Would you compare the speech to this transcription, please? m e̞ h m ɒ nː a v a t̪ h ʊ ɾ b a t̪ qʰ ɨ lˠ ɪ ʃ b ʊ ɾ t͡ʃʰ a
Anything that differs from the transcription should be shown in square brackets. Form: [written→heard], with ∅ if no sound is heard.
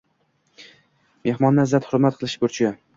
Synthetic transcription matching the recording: m e̞ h m ɒ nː a [v→z] a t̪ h ʊ ɾ [b→m] a t̪ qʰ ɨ lˠ ɪ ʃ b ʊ ɾ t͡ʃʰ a